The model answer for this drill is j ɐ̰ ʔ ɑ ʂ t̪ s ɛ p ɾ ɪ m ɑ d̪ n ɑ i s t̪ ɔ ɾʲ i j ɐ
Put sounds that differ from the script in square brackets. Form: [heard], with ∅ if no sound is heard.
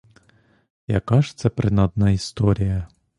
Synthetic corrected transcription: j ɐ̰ [k] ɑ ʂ t̪ s ɛ p ɾ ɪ [n] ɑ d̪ n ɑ i s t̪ ɔ ɾʲ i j ɐ